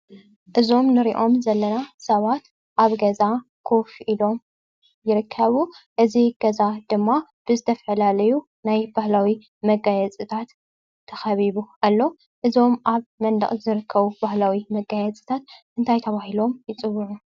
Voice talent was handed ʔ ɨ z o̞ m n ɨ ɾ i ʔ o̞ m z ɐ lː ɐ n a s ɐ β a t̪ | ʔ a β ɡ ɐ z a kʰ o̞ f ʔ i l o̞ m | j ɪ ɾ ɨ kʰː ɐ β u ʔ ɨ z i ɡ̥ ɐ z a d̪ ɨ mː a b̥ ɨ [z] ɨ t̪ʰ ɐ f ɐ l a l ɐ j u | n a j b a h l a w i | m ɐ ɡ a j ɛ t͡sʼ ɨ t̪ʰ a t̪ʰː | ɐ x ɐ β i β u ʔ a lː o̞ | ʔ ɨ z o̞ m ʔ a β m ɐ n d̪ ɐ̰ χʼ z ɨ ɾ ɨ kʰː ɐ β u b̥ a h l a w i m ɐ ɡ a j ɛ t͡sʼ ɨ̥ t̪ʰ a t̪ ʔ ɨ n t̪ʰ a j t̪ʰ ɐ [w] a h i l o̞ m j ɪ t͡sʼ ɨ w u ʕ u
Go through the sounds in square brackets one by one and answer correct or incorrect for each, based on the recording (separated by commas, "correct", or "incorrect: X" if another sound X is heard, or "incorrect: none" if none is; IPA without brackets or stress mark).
correct, incorrect: β